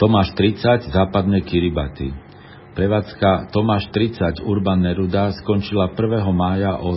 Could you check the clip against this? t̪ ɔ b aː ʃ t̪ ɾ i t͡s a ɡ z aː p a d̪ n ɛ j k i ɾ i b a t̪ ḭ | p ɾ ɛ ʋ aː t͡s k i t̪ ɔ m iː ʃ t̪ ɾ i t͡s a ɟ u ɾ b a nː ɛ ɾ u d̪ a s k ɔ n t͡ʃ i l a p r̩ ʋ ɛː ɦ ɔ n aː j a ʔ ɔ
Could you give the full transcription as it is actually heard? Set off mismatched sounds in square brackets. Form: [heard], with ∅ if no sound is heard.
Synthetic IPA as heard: t̪ ɔ [m] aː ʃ t̪ ɾ i t͡s a [ɟ] z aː p a d̪ n ɛ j k i ɾ i b a t̪ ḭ | p ɾ ɛ ʋ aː t͡s k [a] t̪ ɔ m [aː] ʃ t̪ ɾ i t͡s a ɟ u ɾ b a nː ɛ ɾ u d̪ a s k ɔ n t͡ʃ i l a p r̩ ʋ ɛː ɦ ɔ [m] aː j a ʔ ɔ